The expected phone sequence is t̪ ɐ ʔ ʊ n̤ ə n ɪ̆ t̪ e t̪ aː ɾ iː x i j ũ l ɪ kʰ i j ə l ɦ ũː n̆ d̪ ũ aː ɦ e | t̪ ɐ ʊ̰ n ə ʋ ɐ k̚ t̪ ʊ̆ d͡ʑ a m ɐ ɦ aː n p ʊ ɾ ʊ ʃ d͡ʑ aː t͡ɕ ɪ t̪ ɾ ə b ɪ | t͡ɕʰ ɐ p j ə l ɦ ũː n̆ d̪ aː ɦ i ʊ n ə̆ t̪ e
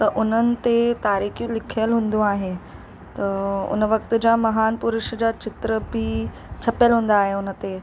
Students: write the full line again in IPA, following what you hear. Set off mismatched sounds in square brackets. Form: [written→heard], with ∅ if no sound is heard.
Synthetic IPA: t̪ ɐ ʔ ʊ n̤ ə n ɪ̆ t̪ e t̪ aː ɾ iː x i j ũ l ɪ kʰ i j ə l ɦ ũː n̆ d̪ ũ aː ɦ e | t̪ ɐ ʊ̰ n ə ʋ ɐ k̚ t̪ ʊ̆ d͡ʑ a m ɐ ɦ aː n p ʊ ɾ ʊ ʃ d͡ʑ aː t͡ɕ ɪ t̪ ɾ ə b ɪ | t͡ɕʰ ɐ p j ə l ɦ ũː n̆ d̪ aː ɦ [i→e] ʊ n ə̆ t̪ e